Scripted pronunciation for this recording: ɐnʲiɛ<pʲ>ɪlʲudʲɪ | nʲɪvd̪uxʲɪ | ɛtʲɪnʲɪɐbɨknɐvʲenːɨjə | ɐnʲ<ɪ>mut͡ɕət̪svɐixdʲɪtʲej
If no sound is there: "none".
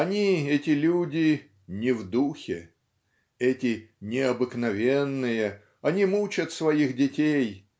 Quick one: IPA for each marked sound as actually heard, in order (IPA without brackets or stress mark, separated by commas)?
tʲ, i